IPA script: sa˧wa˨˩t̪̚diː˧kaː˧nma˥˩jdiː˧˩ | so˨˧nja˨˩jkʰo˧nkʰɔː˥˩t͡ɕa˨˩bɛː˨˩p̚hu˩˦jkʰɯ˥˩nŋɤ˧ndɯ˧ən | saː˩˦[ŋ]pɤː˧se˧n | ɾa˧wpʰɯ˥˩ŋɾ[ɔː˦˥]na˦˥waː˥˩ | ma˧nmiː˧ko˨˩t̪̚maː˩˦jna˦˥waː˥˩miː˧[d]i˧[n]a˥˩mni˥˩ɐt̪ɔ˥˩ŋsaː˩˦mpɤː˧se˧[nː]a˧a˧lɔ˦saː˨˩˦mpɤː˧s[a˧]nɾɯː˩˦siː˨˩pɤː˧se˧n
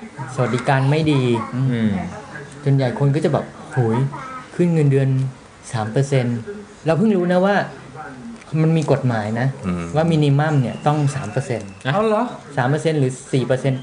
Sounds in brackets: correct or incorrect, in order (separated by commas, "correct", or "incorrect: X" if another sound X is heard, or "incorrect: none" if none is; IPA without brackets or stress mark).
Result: incorrect: m, incorrect: uː˦˥, incorrect: n, incorrect: m, incorrect: n, incorrect: e˧